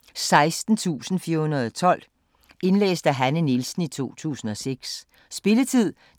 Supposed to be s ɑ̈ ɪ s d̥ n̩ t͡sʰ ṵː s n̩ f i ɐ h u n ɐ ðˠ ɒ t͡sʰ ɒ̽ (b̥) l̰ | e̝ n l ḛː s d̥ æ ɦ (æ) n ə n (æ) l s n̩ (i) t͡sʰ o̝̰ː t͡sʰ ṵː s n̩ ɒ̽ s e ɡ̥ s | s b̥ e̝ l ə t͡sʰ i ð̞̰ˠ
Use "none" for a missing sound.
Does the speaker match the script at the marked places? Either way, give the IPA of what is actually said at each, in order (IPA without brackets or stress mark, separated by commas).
none, æ, i, i